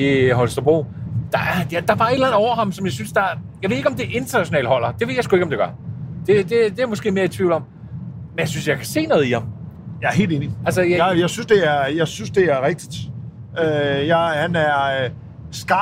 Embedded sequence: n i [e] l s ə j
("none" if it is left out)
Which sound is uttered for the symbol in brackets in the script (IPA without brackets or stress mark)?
æ